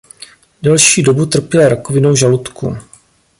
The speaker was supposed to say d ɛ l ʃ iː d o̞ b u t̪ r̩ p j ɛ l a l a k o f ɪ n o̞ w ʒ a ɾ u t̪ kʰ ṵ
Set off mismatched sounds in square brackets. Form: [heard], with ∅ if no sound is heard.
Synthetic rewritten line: d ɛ l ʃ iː d o̞ b u t̪ r̩ p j ɛ l a [ɾ] a k o [v] ɪ n o̞ w ʒ a [l] u t̪ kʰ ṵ

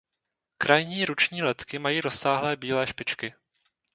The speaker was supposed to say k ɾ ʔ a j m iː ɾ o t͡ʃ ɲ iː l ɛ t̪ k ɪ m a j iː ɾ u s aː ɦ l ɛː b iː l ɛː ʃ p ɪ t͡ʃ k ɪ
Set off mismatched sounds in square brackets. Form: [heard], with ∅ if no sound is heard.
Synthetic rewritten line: k ɾ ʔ a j [ɲ] iː ɾ [u] t͡ʃ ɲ iː l ɛ t̪ k ɪ m a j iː ɾ [o] s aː ɦ l ɛː b iː l ɛː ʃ p ɪ t͡ʃ k ɪ

